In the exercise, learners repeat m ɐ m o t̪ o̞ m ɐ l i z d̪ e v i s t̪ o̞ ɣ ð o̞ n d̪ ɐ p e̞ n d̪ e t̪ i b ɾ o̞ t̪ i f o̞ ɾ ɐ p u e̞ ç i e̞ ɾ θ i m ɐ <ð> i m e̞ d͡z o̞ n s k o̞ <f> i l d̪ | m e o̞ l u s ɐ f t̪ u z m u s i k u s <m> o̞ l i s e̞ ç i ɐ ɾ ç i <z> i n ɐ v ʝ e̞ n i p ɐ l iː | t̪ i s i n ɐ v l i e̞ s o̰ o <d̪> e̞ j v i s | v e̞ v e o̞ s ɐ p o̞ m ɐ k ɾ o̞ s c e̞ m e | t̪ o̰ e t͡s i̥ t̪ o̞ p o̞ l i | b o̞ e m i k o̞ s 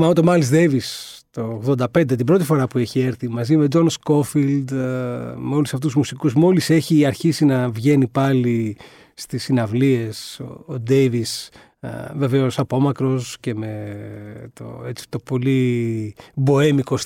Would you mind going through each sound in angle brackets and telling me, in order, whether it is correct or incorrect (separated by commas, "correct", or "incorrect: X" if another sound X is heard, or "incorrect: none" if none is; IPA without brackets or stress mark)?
incorrect: z, correct, correct, incorrect: s, correct